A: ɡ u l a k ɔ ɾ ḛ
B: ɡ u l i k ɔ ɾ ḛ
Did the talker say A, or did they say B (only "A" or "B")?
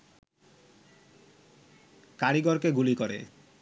B